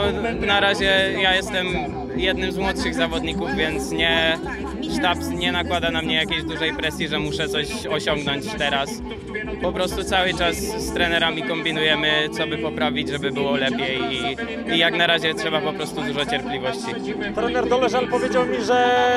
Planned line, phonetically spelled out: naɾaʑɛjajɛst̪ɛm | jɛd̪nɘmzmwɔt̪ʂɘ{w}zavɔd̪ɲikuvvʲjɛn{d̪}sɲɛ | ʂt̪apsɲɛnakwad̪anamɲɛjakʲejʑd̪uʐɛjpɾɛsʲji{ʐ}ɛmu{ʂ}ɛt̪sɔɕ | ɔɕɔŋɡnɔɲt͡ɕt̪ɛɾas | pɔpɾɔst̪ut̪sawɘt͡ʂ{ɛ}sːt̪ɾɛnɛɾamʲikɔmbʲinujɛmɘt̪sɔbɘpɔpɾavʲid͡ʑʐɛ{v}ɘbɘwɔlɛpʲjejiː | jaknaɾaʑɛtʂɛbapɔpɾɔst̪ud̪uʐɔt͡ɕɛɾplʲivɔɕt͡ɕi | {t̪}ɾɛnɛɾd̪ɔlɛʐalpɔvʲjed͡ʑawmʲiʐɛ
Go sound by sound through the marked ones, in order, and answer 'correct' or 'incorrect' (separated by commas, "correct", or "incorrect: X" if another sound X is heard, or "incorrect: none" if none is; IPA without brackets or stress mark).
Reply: incorrect: ɣ, incorrect: t̪, correct, correct, incorrect: a, incorrect: b, correct